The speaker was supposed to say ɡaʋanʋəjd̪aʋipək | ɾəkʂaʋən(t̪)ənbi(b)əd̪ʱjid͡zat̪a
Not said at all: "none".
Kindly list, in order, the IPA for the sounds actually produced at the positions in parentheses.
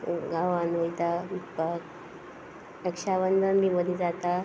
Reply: d̪, m

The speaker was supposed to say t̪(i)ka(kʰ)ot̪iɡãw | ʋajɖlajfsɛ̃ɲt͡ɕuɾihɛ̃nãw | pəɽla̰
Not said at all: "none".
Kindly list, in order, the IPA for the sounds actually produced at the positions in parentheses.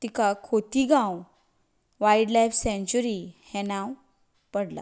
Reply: i, kʰ

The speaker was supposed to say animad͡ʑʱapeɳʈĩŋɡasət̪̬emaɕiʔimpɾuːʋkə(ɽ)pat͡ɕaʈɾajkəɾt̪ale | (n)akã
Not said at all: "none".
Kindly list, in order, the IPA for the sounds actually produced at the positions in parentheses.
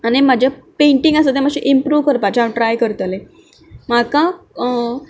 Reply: ɾ, m

